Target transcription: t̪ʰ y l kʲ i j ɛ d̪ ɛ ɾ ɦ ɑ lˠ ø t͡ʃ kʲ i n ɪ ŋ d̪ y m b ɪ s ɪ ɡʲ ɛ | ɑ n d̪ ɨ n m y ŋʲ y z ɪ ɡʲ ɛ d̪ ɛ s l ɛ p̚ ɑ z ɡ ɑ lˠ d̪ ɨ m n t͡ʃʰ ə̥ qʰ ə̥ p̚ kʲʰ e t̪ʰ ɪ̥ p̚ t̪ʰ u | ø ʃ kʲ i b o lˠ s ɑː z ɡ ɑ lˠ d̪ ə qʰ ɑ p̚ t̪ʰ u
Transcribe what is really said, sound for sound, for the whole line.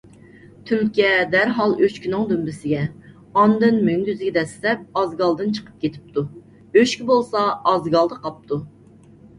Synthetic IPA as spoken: t̪ʰ y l kʲ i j ɛ d̪ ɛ ɾ ɦ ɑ lˠ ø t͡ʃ kʲ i n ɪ ŋ d̪ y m b ɪ s ɪ ɡʲ ɛ | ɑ n d̪ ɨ n m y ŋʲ y z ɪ ɡʲ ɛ d̪ ɛ s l ɛ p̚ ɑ z ɡ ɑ lˠ d̪ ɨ n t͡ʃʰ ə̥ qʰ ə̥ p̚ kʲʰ e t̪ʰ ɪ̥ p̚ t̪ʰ u | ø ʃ kʲ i b o lˠ s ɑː z ɡ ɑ lˠ d̪ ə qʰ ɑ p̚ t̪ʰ u

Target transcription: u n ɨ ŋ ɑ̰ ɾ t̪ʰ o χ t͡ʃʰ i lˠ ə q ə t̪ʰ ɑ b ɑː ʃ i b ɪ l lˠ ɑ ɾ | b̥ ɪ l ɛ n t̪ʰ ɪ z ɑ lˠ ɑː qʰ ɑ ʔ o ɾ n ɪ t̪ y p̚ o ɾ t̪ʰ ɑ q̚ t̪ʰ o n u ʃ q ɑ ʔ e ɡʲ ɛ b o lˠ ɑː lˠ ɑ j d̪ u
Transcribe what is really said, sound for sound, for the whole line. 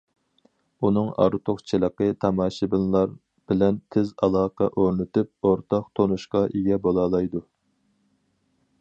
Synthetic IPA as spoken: u n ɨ ŋ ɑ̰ ɾ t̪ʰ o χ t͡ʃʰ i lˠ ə q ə t̪ʰ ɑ m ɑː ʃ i b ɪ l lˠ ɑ ɾ | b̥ ɪ l ɛ n t̪ʰ ɪ z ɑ lˠ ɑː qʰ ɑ ʔ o ɾ n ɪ t̪ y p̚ o ɾ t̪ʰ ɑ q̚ t̪ʰ o n u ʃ q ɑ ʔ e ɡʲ ɛ b o lˠ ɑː lˠ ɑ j d̪ u

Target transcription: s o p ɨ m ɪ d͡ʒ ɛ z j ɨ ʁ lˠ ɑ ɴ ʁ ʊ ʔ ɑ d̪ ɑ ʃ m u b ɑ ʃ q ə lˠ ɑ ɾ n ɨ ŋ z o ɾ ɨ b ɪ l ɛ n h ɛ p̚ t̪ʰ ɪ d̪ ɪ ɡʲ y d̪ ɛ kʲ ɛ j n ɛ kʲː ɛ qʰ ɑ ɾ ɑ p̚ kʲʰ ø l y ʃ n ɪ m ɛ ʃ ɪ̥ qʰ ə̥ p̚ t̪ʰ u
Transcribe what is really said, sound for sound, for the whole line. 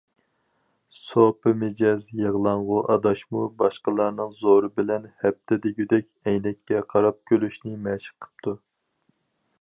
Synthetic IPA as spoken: s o p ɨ m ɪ d͡ʒ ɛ z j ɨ ʁ lˠ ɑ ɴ ʁ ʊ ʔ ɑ d̪ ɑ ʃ m u b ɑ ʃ q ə lˠ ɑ ɾ n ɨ ŋ z o ɾ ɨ b ɪ l ɛ n h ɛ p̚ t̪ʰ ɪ d̪ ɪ ɡʲ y d̪ ɛ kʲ ɛ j n ɛ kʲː ɛ qʰ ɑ ɾ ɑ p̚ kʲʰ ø l y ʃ n ɪ m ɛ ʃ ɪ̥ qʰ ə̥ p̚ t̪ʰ u

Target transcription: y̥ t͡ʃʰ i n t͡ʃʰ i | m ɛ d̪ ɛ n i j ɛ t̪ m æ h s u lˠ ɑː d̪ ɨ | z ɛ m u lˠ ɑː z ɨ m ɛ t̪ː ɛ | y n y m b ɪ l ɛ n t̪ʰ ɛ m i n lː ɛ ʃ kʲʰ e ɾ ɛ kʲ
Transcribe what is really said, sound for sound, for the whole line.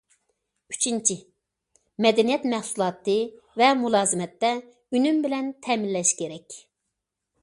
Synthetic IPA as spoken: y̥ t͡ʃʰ i n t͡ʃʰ i | m ɛ d̪ ɛ n i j ɛ t̪ m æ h s u lˠ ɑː t̪ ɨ | v ɛ m u lˠ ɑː z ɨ m ɛ t̪ː ɛ | y n y m b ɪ l ɛ n t̪ʰ ɛ m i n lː ɛ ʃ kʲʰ e ɾ ɛ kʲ

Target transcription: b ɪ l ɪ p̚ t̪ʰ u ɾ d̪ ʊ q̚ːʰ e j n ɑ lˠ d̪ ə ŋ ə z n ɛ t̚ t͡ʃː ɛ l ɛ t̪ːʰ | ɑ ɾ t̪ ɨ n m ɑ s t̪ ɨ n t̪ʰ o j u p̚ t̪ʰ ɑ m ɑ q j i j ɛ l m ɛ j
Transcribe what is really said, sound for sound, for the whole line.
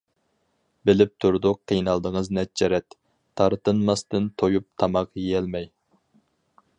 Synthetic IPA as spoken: b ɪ l ɪ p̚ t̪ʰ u ɾ d̪ ʊ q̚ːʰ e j n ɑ lˠ d̪ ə ŋ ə z n ɛ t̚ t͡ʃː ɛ ɾ ɛ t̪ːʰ | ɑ ɾ t̪ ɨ n m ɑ s t̪ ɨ n t̪ʰ o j u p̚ t̪ʰ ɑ m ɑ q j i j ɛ l m ɛ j

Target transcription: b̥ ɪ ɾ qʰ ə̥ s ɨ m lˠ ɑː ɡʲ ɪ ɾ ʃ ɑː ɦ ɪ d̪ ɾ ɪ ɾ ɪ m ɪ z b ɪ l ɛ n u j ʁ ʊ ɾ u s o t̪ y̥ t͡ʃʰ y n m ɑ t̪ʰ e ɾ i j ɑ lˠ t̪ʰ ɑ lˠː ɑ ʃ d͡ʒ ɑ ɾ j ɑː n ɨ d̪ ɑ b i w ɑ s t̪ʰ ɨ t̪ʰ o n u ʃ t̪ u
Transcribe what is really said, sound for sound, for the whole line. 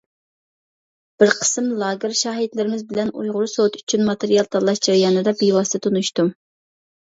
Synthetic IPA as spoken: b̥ ɪ ɾ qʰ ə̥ s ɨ m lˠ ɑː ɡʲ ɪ ɾ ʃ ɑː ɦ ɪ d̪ l ɪ ɾ ɪ m ɪ z b ɪ l ɛ n u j ʁ ʊ ɾ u s o t̪ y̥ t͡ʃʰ y n m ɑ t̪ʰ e ɾ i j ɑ lˠ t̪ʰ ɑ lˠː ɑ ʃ d͡ʒ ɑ ɾ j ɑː n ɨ d̪ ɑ b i w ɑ s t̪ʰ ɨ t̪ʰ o n u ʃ t̪ u

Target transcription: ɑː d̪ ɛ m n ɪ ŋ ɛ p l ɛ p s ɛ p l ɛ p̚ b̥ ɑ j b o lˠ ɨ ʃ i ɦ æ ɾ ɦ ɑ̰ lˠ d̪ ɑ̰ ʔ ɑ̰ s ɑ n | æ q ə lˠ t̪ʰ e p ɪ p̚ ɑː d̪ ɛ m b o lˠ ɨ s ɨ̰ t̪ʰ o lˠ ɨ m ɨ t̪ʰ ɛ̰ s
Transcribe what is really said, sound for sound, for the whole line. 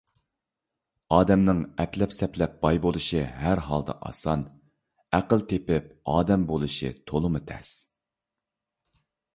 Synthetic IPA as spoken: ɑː d̪ ɛ m n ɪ ŋ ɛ p l ɛ p s ɛ p l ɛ p̚ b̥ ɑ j b o lˠ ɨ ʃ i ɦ æ ɾ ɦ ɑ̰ lˠ d̪ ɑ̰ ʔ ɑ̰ s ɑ n | æ q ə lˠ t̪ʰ e p ɪ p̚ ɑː d̪ ɛ m b o lˠ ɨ ʃ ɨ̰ t̪ʰ o lˠ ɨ m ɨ t̪ʰ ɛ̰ s

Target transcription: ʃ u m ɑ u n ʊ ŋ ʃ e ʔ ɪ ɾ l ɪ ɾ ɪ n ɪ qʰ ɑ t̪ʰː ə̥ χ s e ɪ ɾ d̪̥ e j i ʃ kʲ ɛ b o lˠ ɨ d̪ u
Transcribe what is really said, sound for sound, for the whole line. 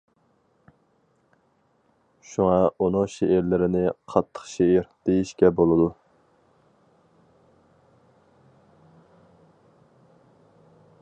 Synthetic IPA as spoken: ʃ u ŋ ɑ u n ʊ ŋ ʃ e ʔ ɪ ɾ l ɪ ɾ ɪ n ɪ qʰ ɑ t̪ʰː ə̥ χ ʃ e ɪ ɾ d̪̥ e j i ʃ kʲ ɛ b o lˠ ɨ d̪ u

